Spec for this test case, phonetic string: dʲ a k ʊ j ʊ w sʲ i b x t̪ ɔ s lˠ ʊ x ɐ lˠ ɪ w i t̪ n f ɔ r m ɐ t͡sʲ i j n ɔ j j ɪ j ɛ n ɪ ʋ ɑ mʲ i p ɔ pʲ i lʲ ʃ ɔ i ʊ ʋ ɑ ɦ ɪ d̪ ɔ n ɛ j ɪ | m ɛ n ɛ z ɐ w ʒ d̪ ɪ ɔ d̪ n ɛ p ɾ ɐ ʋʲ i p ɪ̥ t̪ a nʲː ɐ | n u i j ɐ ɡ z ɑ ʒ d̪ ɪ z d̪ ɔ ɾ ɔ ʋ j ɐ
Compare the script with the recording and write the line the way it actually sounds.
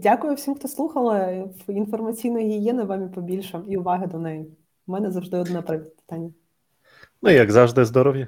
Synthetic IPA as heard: dʲ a k ʊ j ʊ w sʲ i m x t̪ ɔ s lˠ u x ɐ lˠ ɪ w i n f ɔ r m ɐ t͡sʲ i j n ɔ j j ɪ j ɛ n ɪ ʋ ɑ mʲ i p ɔ bʲ i lʲ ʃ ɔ i ʊ ʋ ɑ ɦ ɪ d̪ ɔ n ɛ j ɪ | m ɛ n ɛ z ɐ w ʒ d̪ ɪ ɔ d̪ n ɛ p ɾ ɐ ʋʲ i p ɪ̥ t̪ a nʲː ɐ | n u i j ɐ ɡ z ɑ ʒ d̪ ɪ z d̪ ɔ ɾ ɔ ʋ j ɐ